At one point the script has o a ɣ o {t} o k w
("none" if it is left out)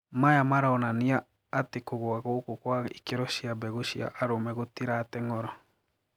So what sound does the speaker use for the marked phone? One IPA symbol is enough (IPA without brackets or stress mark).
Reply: k